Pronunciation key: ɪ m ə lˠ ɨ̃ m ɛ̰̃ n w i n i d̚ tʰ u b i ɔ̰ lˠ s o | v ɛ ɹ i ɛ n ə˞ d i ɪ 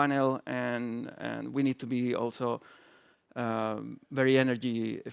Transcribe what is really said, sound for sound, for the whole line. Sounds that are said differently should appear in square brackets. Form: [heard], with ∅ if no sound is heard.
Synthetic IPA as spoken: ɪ [n] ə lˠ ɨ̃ [n] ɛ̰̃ n w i n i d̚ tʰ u b i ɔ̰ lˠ s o | v ɛ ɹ i ɛ n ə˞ [d͡ʒ] i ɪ